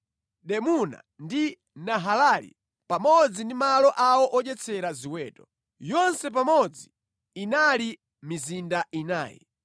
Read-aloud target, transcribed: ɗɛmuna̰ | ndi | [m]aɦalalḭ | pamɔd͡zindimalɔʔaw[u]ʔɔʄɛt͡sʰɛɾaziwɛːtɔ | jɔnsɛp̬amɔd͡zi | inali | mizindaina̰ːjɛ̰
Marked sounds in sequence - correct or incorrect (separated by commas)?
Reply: incorrect, incorrect